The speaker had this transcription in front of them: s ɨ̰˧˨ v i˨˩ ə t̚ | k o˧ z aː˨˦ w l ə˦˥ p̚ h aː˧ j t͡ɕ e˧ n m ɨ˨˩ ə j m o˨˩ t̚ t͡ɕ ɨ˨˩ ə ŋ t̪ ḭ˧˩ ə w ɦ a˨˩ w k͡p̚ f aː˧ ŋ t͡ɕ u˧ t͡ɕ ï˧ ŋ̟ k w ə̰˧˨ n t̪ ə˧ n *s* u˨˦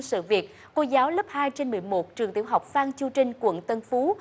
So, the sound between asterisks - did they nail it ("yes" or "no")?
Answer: no